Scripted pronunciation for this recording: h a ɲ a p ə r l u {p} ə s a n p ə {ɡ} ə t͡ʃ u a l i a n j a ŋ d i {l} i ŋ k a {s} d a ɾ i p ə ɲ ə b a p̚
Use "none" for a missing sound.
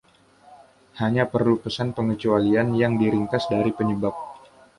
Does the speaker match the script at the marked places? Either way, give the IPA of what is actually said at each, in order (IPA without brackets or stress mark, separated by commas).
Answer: p, ŋ, ɾ, s